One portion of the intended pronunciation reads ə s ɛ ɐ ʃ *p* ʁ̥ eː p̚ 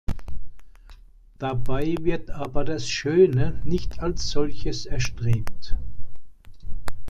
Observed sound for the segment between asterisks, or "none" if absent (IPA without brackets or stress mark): t